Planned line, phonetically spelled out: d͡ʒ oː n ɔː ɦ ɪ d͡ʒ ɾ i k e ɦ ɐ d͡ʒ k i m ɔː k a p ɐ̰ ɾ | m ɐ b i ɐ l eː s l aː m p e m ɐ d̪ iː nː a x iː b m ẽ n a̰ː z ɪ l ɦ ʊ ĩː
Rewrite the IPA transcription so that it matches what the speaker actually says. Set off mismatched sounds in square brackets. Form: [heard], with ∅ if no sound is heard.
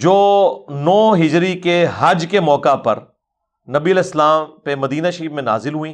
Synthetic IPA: d͡ʒ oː n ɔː ɦ ɪ d͡ʒ ɾ i k e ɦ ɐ d͡ʒ k [e] m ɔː k a p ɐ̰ ɾ | [n] ɐ b i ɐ l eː s l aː m p e m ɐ d̪ iː [n] a [ʃ] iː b m ẽ n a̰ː z ɪ l ɦ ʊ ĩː